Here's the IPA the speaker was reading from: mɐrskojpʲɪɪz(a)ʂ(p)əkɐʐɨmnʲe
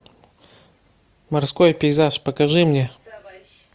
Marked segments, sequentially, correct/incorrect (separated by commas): correct, correct